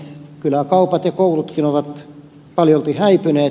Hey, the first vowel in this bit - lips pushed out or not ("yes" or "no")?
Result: yes